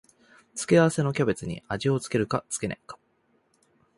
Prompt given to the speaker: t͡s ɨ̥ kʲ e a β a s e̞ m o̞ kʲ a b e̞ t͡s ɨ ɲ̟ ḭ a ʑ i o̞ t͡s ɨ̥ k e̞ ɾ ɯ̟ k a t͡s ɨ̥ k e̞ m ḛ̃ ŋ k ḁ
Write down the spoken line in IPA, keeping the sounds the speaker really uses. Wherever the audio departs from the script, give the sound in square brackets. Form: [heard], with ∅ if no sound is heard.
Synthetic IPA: t͡s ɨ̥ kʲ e a β a s e̞ [n] o̞ kʲ a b e̞ t͡s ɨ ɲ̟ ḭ a ʑ i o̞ t͡s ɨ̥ k e̞ ɾ ɯ̟ k a t͡s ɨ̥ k e̞ [n] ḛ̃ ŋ k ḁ